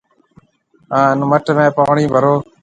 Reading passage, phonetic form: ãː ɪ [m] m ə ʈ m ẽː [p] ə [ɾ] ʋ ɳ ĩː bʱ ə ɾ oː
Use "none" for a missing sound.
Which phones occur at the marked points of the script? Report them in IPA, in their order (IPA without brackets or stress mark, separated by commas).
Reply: n, p, none